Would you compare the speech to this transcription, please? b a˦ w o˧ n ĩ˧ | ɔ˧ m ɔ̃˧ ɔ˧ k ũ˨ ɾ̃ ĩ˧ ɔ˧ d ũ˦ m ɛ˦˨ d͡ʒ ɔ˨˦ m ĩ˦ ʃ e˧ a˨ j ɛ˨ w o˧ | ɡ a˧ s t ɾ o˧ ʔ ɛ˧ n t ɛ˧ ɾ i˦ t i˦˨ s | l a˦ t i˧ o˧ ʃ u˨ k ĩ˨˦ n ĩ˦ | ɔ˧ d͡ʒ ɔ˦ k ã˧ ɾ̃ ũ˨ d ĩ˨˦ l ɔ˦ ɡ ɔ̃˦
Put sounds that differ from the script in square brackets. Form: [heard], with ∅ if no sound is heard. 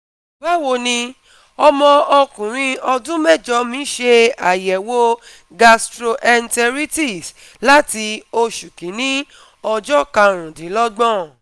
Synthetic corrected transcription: b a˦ w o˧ n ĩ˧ | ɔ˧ m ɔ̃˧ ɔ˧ k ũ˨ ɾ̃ ĩ˧ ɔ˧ d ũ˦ m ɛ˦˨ d͡ʒ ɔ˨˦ m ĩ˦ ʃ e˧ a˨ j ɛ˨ w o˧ | ɡ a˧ s t ɾ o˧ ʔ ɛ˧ n t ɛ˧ ɾ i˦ t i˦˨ s | l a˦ t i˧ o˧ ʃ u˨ k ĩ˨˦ n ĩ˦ | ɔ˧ d͡ʒ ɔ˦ k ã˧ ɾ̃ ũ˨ d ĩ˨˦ l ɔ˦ [ɡ͡b] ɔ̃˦